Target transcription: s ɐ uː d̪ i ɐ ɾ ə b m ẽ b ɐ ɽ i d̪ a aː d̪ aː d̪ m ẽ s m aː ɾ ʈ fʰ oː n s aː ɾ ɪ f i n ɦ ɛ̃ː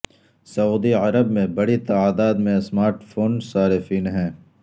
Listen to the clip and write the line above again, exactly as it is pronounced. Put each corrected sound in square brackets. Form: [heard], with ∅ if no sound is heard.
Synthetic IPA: s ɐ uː d̪ i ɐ ɾ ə b m ẽ b ɐ ɽ i [t̪] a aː d̪ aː d̪ m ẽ s m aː ɾ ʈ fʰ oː n s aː ɾ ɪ f [iː] n ɦ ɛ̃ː